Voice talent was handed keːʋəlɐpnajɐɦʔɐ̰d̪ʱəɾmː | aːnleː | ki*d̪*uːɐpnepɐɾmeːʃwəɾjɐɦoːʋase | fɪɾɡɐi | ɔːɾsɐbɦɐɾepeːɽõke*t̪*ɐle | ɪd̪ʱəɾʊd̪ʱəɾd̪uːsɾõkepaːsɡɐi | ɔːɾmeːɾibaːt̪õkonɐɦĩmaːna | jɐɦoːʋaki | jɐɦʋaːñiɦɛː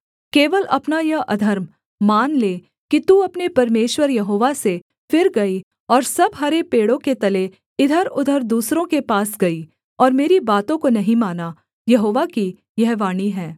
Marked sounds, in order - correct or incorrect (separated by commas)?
incorrect, correct